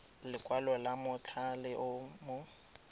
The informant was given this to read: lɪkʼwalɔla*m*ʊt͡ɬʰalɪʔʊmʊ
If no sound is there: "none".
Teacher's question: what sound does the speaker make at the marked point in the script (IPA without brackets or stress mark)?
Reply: m